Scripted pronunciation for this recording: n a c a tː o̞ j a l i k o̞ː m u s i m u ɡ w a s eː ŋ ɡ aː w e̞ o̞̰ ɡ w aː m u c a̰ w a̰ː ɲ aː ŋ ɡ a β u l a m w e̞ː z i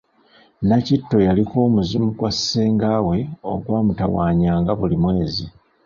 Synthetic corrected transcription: n a c i tː o̞ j a l i k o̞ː m u z i m u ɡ w a s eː ŋ ɡ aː w e̞ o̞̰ ɡ w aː m u t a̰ w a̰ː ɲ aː ŋ ɡ a β u l i m w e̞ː z i